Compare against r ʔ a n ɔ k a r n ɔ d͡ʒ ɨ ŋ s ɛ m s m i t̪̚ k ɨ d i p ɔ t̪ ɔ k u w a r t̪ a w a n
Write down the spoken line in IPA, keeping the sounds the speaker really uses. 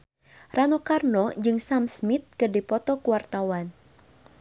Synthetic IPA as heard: r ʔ a n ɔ k a r n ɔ d͡ʒ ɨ ŋ s a m s m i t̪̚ k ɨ d i p ɔ t̪ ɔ k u w a r t̪ a w a n